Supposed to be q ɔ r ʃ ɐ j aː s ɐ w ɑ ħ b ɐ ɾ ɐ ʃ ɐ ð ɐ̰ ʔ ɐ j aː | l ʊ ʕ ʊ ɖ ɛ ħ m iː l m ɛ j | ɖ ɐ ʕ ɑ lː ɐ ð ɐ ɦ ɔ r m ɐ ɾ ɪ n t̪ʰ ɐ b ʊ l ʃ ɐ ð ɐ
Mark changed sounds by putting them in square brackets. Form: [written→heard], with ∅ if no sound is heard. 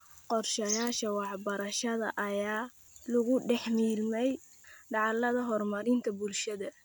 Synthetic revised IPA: q ɔ r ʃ ɐ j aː [s→ʃ] ɐ w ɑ ħ b ɐ ɾ ɐ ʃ ɐ ð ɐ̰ ʔ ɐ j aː | l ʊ [ʕ→ɣ] ʊ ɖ ɛ ħ m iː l m ɛ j | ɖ [ɐ→ɑ] ʕ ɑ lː ɐ ð ɐ ɦ ɔ r m ɐ ɾ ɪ n t̪ʰ ɐ b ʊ l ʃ ɐ ð ɐ

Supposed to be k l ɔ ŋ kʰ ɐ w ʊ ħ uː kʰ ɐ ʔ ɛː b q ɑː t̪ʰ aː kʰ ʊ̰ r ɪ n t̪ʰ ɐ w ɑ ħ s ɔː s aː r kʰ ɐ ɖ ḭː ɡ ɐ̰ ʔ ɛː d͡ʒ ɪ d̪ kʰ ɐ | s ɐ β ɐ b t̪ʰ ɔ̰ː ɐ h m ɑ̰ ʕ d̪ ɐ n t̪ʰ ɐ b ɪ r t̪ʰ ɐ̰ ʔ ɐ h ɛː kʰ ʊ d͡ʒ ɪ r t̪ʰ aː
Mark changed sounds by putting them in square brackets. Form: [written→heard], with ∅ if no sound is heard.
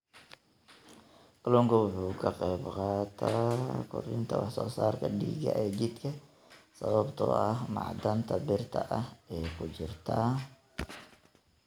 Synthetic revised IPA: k l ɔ ŋ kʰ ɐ w ʊ ħ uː kʰ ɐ [ʔ→q] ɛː b q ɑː t̪ʰ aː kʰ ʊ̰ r ɪ n t̪ʰ ɐ w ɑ ħ s ɔː s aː r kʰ ɐ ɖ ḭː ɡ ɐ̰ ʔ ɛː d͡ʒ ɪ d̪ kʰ ɐ | s ɐ β ɐ b t̪ʰ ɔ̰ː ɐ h m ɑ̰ ʕ d̪ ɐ n t̪ʰ ɐ b ɪ r t̪ʰ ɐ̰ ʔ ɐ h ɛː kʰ ʊ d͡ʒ ɪ r t̪ʰ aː

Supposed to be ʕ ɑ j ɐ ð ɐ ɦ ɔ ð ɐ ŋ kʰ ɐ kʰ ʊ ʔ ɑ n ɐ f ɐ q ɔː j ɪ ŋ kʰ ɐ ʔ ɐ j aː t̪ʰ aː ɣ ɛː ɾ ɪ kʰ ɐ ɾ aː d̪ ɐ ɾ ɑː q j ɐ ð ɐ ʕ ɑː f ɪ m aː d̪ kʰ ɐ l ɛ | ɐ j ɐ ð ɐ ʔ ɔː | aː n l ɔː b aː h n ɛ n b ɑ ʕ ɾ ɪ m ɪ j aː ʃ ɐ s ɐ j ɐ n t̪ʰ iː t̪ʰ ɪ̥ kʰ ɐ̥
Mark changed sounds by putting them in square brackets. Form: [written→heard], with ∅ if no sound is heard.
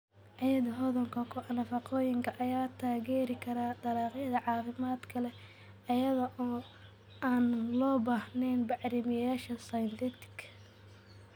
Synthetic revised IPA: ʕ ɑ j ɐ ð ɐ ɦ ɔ ð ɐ ŋ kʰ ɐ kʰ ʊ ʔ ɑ n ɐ f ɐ q ɔː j ɪ ŋ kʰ ɐ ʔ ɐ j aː t̪ʰ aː ɣ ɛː ɾ ɪ kʰ ɐ ɾ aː d̪ ɐ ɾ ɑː q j ɐ ð ɐ ʕ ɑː f ɪ m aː d̪ kʰ ɐ l ɛ | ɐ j ɐ ð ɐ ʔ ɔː | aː n l ɔː b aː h n ɛ n b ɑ ʕ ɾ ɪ m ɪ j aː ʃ ɐ s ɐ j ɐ n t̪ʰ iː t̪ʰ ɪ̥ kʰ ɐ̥

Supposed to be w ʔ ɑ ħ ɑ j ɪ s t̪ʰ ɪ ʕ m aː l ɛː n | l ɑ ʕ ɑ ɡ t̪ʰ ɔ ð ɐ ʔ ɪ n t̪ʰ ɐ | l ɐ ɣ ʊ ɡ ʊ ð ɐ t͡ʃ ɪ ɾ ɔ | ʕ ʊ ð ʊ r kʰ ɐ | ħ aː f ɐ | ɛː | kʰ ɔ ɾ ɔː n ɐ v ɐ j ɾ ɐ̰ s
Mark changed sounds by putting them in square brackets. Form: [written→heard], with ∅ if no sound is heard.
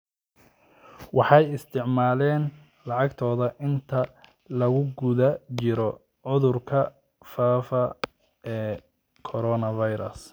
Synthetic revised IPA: w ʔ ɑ ħ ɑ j ɪ s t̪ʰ ɪ ʕ m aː l ɛː n | l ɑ ʕ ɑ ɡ t̪ʰ [ɔ→ɔː] ð ɐ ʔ ɪ n t̪ʰ ɐ | l ɐ ɣ ʊ ɡ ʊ ð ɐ t͡ʃ ɪ ɾ ɔ | ʕ ʊ ð ʊ r kʰ ɐ | [ħ→f] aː f ɐ | ɛː | kʰ ɔ ɾ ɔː n ɐ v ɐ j ɾ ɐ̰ s

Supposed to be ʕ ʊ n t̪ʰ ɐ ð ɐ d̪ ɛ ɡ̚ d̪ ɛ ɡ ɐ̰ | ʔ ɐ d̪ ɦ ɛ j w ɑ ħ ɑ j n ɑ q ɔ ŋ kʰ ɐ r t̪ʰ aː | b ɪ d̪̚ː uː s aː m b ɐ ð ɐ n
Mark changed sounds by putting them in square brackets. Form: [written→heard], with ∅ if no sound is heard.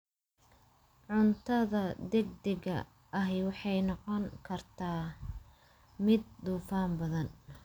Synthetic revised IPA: ʕ ʊ n t̪ʰ ɐ ð ɐ d̪ ɛ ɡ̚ d̪ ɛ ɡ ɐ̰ | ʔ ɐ [d̪→∅] ɦ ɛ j w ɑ ħ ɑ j n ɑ q ɔ ŋ kʰ ɐ r t̪ʰ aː | [b→m] ɪ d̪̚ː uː [s→f] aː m b ɐ ð ɐ n

